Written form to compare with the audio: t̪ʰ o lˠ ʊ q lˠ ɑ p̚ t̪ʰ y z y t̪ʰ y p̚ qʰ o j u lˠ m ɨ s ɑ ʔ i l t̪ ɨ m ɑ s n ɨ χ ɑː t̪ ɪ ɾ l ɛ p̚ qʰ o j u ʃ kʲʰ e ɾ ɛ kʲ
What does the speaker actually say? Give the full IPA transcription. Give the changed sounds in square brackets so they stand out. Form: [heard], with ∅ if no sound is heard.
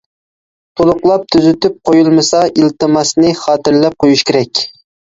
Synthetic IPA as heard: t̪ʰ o lˠ ʊ q lˠ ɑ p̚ t̪ʰ y z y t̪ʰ y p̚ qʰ o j u lˠ m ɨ s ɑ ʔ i l t̪ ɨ m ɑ s n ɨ χ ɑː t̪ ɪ ɾ l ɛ p̚ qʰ o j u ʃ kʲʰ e ɾ ɛ kʲ